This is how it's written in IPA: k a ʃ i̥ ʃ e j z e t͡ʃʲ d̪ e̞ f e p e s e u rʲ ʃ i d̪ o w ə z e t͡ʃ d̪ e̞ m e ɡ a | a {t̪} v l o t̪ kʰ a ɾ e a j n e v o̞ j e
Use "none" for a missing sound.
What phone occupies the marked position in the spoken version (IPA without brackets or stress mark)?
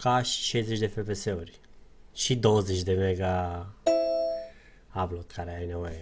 none